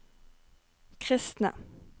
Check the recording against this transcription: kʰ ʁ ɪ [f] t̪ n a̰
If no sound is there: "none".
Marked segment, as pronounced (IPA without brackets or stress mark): s